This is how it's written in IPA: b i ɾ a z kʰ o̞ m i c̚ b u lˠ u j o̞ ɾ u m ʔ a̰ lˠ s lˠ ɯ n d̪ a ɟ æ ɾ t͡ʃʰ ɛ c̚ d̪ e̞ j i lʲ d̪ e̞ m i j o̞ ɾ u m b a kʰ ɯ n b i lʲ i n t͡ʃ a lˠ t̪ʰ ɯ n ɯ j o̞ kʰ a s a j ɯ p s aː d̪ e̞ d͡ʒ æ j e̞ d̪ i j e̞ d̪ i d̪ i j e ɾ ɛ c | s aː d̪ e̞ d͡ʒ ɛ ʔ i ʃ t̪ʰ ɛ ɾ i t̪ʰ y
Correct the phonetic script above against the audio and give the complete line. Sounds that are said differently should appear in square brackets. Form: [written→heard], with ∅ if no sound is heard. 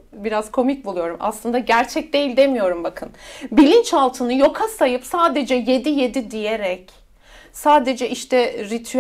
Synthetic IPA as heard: b i ɾ a z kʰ o̞ m i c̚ b u lˠ u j o̞ ɾ u m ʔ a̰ [lˠ→∅] s lˠ ɯ n d̪ a ɟ æ ɾ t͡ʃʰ ɛ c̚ d̪ e̞ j i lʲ d̪ e̞ m i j o̞ ɾ u m b a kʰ ɯ n b i lʲ i n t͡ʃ a lˠ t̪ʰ ɯ n ɯ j o̞ kʰ a s a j ɯ p s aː d̪ e̞ d͡ʒ [æ→ɛ] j e̞ d̪ i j e̞ d̪ i d̪ i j e ɾ ɛ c | s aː d̪ e̞ d͡ʒ ɛ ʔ i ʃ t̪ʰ ɛ ɾ i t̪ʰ y